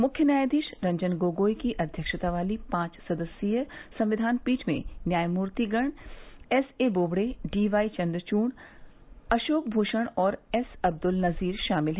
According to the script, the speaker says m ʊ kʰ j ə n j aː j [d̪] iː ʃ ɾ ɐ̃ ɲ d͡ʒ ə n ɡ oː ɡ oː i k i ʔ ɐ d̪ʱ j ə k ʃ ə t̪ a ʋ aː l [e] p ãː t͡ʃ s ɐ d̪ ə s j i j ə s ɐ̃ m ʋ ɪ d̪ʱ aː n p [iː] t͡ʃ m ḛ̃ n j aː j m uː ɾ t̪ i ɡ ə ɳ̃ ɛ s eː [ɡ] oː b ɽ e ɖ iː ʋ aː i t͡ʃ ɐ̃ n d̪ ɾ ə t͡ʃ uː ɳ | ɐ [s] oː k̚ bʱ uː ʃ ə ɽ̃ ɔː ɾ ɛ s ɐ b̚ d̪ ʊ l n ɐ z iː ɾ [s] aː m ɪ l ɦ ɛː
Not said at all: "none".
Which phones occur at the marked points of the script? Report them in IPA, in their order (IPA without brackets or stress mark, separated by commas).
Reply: d̪, i, iː, b, ʃ, ʃ